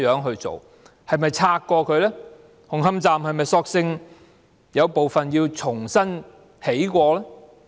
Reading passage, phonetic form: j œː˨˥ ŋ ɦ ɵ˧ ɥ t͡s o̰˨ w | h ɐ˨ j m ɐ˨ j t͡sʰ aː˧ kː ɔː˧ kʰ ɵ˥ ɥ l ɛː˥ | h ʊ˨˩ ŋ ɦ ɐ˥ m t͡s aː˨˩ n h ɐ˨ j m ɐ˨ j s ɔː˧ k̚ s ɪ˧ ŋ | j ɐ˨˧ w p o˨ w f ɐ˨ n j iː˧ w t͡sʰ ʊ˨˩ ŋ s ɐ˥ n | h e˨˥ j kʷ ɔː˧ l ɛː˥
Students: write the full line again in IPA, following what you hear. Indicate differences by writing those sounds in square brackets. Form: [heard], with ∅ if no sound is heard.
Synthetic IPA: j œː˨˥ ŋ ɦ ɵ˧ ɥ t͡s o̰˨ w | h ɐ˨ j m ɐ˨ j t͡sʰ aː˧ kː ɔː˧ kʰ [ɵ˨˧] ɥ l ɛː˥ | h ʊ˨˩ ŋ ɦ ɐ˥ m t͡s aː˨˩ [m] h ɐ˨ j m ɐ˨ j s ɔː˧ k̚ s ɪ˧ ŋ | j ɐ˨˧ w p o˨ w f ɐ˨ n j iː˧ w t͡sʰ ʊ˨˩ ŋ s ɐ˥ n | h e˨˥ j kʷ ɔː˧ l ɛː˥

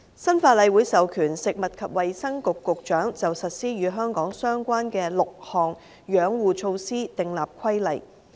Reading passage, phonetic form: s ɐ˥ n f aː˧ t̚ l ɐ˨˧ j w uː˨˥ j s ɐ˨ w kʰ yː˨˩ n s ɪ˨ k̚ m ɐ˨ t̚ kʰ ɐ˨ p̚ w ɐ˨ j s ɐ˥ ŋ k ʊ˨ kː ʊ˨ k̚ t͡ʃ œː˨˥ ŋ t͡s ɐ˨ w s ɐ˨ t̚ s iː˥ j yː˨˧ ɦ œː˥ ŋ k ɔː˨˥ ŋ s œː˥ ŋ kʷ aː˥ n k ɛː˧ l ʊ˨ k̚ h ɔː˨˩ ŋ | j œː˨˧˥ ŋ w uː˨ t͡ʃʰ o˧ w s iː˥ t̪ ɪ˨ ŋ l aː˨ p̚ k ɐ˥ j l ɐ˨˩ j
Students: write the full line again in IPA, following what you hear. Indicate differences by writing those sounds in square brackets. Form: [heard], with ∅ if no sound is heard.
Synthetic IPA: s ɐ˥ n f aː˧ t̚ l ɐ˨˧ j w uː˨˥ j s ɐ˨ w kʰ yː˨˩ n s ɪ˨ k̚ m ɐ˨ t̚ kʰ ɐ˨ p̚ w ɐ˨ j s ɐ˥ ŋ k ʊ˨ kː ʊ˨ k̚ t͡ʃ œː˨˥ ŋ t͡s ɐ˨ w s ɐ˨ t̚ s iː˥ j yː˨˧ ɦ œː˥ ŋ k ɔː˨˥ ŋ s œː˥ ŋ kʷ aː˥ n k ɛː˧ l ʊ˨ k̚ h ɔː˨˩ ŋ | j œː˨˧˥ ŋ w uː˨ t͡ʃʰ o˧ w s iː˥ t̪ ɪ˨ ŋ l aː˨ p̚ [kʰ] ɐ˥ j l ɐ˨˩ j

